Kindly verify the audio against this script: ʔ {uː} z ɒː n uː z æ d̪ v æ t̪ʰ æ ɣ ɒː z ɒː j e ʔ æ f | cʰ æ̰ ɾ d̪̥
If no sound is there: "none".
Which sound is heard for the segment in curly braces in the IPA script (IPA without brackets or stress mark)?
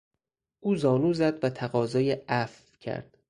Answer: uː